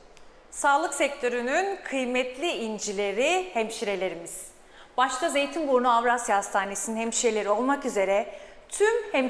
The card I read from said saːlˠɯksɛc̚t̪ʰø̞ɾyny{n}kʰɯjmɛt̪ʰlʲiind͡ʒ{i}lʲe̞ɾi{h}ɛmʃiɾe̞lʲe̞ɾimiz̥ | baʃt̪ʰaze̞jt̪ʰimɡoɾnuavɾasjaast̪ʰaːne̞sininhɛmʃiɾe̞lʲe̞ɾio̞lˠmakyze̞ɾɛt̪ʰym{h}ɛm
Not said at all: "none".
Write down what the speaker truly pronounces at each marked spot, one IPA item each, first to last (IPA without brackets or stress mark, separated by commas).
n, i, h, h